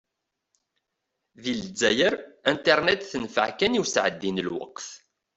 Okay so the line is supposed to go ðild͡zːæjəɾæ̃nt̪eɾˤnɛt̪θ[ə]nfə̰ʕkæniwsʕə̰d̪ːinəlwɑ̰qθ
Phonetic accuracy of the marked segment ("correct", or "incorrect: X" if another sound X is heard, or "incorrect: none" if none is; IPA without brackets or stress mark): correct